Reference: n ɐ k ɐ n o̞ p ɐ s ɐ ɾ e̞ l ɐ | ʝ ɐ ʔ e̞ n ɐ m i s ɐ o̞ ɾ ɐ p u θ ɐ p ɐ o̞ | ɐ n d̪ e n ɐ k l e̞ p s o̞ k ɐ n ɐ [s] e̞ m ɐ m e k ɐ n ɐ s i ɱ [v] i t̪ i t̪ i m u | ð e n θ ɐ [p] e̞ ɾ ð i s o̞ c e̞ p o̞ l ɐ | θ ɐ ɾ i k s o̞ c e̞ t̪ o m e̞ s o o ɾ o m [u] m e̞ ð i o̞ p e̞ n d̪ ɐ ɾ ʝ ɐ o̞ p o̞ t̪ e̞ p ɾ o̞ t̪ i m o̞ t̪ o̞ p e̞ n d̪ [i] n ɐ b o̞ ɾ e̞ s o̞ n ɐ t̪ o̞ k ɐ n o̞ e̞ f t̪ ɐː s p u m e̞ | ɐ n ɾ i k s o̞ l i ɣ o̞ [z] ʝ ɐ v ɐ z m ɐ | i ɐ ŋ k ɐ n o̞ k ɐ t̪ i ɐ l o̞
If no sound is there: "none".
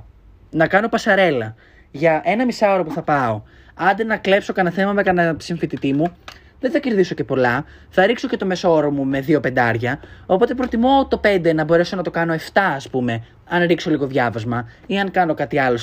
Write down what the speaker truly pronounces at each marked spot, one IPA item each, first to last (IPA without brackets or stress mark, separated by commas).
θ, f, c, u, e, ð